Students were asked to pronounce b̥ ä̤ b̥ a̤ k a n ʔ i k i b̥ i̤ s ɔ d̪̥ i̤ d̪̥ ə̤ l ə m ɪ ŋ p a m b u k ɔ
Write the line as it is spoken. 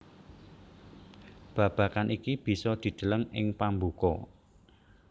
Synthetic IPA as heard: b̥ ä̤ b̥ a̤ k a n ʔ i k i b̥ i̤ s ɔ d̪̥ i̤ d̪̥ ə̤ l ə ŋ ɪ ŋ p a m b u k ɔ